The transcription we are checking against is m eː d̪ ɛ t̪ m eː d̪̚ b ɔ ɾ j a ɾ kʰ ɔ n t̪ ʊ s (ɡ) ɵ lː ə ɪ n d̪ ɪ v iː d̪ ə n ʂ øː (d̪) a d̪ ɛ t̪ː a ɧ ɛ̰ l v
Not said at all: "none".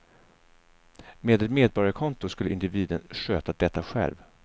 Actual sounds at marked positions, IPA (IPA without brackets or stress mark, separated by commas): k, t̪